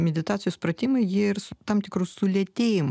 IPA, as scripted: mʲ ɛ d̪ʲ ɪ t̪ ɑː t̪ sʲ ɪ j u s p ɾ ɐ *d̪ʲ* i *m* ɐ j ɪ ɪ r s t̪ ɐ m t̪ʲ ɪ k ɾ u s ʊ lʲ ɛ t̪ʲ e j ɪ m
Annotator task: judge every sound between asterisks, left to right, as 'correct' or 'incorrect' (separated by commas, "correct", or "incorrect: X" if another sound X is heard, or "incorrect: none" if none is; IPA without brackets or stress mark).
incorrect: t̪ʲ, correct